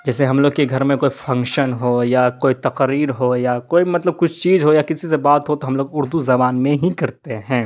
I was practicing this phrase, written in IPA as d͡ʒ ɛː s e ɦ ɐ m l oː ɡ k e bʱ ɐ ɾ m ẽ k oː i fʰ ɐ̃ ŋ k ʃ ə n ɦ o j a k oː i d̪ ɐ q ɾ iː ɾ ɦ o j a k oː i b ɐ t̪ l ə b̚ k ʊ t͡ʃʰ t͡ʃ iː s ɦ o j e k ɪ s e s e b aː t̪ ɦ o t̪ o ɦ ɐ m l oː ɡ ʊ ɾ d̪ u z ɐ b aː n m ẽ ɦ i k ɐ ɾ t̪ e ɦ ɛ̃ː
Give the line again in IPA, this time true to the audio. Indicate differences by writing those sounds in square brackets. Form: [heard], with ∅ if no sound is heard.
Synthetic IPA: d͡ʒ ɛː s e ɦ ɐ m l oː ɡ k e [ɡʱ] ɐ ɾ m ẽ k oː i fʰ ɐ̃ ŋ k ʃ ə n ɦ o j a k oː i [t̪] ɐ q ɾ iː ɾ ɦ o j a k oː i [m] ɐ t̪ l ə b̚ k ʊ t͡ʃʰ t͡ʃ iː [z] ɦ o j [a] k ɪ s [i] s e b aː t̪ ɦ o t̪ o ɦ ɐ m l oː ɡ ʊ ɾ d̪ u z ɐ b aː n m ẽ ɦ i k ɐ ɾ t̪ e ɦ ɛ̃ː